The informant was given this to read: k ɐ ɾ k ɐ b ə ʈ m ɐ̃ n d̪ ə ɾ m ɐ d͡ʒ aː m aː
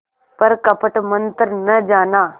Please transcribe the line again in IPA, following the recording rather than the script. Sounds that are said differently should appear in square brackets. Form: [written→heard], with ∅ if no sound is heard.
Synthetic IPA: [k→p] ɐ ɾ k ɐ [b→p] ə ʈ m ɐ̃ n [d̪→t̪] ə ɾ [m→n] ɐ d͡ʒ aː [m→n] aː